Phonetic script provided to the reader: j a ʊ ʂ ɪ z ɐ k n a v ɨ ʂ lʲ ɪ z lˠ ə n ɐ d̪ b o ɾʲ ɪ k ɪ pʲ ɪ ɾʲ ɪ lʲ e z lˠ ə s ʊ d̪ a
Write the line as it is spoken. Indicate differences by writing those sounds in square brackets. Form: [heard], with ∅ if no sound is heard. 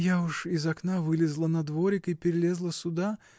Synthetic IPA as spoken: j a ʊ ʂ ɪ z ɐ k n a v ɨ [∅] lʲ ɪ z lˠ ə n ɐ d̪ [v] o ɾʲ ɪ k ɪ pʲ ɪ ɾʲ ɪ lʲ e z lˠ ə s ʊ d̪ a

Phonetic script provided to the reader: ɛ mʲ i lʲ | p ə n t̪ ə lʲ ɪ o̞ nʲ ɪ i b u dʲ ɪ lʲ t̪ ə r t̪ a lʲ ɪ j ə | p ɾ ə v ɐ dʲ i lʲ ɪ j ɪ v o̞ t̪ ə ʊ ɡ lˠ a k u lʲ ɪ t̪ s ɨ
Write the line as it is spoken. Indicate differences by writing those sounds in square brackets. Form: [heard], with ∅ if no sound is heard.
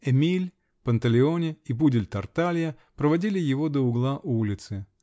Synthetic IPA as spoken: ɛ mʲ i lʲ | p ə n t̪ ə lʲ ɪ o̞ nʲ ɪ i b u dʲ ɪ lʲ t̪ [ɐ] r t̪ a lʲ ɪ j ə | p ɾ ə v ɐ dʲ i lʲ ɪ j ɪ v o̞ [d̪] ə ʊ ɡ lˠ a [ʔ] u lʲ ɪ t̪ s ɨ

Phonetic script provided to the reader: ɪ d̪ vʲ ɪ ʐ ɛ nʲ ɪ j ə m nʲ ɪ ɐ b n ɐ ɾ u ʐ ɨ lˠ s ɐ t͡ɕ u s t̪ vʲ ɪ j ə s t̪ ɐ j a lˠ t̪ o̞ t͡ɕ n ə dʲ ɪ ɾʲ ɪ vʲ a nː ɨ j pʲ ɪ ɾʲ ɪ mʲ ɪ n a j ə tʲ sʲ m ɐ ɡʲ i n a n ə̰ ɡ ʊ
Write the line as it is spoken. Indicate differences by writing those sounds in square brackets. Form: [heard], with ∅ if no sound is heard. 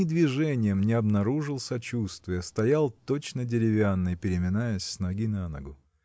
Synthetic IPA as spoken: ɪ d̪ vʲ ɪ ʐ ɛ nʲ ɪ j ə m nʲ ɪ ɐ b n ɐ ɾ u ʐ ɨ lˠ s ɐ t͡ɕ u s t̪ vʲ ɪ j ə s t̪ ɐ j a lˠ t̪ o̞ t͡ɕ n ə dʲ ɪ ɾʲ ɪ vʲ a nː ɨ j pʲ ɪ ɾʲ ɪ mʲ ɪ n a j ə [sʲ] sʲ [n] ɐ ɡʲ i n a n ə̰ ɡ ʊ

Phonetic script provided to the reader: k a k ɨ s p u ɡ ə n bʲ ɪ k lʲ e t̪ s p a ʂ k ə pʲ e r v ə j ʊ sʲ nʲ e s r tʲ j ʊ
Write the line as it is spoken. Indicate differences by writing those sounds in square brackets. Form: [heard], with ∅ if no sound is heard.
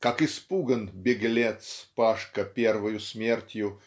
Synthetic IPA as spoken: k a k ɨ s p u ɡ ə n bʲ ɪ [ɡ] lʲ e t̪ s p a ʂ k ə pʲ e r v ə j ʊ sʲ [mʲ] e [∅] r tʲ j ʊ

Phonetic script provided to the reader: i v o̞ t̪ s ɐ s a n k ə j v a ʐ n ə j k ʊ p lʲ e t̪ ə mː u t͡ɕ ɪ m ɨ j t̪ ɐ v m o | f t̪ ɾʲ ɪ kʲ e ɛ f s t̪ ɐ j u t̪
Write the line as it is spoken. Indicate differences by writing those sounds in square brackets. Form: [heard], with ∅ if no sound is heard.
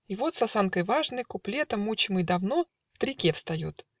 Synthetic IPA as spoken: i v o̞ t̪ s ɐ s a n k ə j v a ʐ n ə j k ʊ p lʲ e t̪ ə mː u t͡ɕ ɪ m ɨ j [d̪] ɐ v [n] o | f t̪ ɾʲ ɪ kʲ e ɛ f s t̪ ɐ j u t̪

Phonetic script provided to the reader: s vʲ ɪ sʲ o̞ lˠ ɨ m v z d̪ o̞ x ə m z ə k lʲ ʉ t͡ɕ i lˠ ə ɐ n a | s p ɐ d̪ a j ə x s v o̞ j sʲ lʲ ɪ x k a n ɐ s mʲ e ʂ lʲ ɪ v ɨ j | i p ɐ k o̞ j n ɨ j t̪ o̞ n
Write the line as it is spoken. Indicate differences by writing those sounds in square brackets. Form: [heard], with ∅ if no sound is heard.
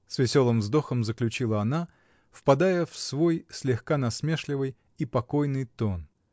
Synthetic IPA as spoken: s vʲ ɪ sʲ o̞ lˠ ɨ m v z d̪ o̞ x ə m z ə k lʲ ʉ t͡ɕ i lˠ ə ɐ n a | [f] p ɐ d̪ a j ə [f] s v o̞ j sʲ lʲ ɪ x k a n ɐ s mʲ e ʂ lʲ ɪ v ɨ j | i p ɐ k o̞ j n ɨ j t̪ o̞ n

